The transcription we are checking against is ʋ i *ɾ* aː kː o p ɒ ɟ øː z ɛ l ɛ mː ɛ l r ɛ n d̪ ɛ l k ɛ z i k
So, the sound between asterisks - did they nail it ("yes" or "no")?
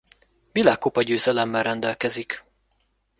no